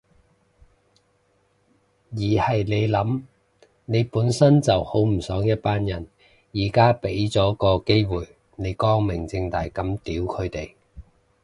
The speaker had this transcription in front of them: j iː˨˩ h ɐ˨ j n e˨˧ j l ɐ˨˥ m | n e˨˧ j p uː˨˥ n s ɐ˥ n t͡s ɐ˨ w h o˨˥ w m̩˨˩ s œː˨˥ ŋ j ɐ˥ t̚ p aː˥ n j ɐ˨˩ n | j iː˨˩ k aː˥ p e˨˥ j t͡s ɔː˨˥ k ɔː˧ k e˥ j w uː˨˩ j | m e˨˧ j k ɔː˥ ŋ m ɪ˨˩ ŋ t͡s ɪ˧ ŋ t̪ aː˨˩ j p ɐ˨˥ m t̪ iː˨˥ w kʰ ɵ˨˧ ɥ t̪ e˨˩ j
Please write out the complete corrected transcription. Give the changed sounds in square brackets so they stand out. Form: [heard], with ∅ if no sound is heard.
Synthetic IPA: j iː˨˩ h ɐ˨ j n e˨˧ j l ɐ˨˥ m | n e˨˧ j p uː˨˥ n s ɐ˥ n t͡s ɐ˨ w h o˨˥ w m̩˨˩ s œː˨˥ ŋ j ɐ˥ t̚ p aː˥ n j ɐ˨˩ n | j iː˨˩ k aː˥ p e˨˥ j t͡s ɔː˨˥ k ɔː˧ k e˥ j w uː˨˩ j | [n] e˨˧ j k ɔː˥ ŋ m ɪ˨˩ ŋ t͡s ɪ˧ ŋ t̪ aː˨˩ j [k] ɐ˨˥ m t̪ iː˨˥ w kʰ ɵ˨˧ ɥ t̪ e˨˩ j